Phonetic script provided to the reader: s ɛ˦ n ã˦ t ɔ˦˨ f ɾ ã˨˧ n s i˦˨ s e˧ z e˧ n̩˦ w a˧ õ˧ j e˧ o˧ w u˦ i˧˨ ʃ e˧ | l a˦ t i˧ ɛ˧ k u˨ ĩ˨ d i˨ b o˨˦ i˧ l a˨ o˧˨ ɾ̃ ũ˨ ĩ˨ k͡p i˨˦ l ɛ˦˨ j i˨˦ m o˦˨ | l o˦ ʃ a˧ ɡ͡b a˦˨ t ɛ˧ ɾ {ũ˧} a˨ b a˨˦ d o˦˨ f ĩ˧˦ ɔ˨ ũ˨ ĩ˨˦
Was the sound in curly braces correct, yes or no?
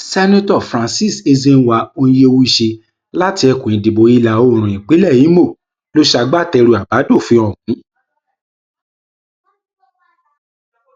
no